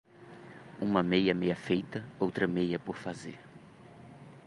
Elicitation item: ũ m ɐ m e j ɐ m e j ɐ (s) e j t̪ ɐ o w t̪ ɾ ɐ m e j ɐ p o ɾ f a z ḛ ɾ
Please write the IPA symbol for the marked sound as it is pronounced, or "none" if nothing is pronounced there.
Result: f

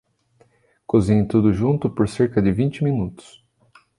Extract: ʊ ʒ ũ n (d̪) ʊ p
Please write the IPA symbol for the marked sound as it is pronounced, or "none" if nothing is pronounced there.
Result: t̪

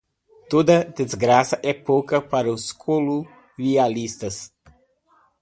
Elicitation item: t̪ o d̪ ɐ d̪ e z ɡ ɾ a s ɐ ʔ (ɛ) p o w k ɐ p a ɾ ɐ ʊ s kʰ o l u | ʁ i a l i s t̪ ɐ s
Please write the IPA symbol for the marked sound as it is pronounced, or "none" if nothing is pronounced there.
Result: ɛ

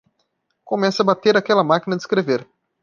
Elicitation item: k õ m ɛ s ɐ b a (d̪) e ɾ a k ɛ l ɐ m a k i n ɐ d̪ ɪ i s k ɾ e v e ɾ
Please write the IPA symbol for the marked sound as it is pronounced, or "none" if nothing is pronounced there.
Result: t̪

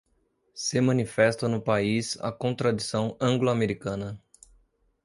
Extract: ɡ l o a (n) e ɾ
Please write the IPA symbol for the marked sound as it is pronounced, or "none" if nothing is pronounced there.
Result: m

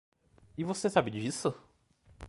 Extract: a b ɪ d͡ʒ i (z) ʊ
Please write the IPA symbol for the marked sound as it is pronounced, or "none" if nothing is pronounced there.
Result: s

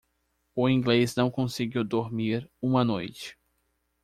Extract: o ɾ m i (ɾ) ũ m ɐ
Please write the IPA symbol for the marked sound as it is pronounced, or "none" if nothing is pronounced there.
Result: ɾ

